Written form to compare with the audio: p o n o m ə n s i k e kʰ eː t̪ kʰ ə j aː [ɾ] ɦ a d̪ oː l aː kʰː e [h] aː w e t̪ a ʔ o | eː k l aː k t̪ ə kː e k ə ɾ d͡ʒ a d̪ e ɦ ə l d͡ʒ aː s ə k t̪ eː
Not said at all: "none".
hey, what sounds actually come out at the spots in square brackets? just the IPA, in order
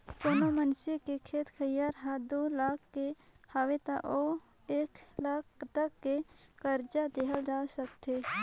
ɾ, h

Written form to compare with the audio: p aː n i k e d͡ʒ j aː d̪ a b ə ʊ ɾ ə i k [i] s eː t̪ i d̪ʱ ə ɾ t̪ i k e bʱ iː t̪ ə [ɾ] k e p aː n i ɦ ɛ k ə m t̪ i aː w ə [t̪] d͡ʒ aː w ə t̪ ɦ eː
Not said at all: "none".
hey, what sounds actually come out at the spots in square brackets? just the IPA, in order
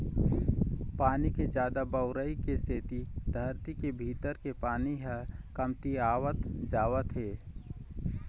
e, ɾ, t̪

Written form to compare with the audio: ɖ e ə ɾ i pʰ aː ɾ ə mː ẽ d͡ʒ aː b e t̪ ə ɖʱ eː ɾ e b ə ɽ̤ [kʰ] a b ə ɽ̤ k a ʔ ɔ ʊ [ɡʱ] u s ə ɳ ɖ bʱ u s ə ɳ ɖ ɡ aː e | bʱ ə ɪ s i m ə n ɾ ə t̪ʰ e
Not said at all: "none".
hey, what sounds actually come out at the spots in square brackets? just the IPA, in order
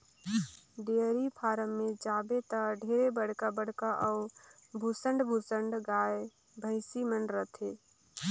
k, bʱ

